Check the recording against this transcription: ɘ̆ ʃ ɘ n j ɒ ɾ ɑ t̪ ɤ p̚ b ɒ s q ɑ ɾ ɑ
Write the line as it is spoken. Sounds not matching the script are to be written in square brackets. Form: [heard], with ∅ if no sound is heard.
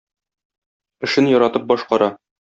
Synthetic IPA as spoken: ɘ̆ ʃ ɘ n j ɒ ɾ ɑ t̪ ɤ p̚ b ɒ [ʃ] q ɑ ɾ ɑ

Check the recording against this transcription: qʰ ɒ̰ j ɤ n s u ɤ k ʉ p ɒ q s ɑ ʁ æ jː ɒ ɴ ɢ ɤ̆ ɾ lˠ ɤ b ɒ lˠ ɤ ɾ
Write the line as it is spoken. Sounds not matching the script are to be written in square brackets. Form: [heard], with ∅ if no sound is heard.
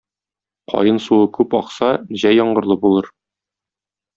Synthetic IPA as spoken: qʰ ɒ̰ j ɤ n s u ɤ k ʉ p ɒ q s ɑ [ʑ] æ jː ɒ ɴ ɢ ɤ̆ ɾ lˠ ɤ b [u] lˠ ɤ ɾ

